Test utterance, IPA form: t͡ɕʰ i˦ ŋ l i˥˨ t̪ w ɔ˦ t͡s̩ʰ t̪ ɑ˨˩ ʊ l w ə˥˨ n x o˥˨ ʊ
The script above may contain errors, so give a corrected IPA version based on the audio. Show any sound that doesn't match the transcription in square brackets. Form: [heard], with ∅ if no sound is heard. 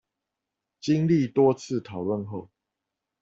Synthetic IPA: [t͡ɕ] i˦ ŋ l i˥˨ t̪ w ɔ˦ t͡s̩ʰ [t̪ʰ] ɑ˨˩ ʊ l w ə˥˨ n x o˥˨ ʊ